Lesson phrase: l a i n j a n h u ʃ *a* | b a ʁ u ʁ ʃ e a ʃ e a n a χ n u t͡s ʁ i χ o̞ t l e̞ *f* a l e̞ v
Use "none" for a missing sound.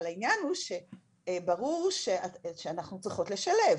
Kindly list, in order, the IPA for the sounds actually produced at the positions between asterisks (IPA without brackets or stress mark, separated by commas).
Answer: e, ʃ